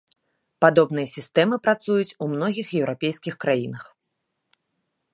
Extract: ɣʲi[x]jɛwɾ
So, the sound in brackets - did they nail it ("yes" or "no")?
yes